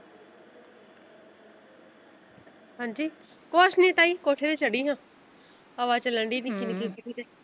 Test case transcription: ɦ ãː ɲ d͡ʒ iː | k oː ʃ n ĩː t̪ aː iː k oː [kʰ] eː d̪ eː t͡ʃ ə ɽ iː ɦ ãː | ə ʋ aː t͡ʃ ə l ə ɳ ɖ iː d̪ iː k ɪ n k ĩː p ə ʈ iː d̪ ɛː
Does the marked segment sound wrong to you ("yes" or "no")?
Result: yes